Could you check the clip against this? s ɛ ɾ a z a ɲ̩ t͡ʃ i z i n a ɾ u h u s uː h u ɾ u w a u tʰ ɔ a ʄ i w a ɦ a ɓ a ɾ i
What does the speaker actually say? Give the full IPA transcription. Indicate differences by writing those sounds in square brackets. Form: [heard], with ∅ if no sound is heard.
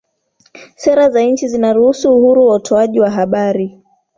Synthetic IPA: s ɛ ɾ a z a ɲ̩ t͡ʃ i z i n a ɾ u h u s uː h u ɾ u w a u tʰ ɔ a ʄ i w a ɦ a ɓ a ɾ i